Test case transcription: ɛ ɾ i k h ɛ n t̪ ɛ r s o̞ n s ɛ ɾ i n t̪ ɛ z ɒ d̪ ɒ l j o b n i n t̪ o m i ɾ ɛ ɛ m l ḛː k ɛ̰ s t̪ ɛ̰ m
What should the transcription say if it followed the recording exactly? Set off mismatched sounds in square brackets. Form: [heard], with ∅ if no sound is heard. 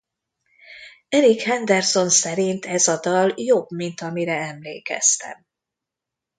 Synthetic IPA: ɛ ɾ i k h ɛ n [d̪] ɛ r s o̞ n s ɛ ɾ i n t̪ ɛ z ɒ d̪ ɒ l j o b [m] i n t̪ [ɒ] m i ɾ ɛ ɛ m l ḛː k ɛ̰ s t̪ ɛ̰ m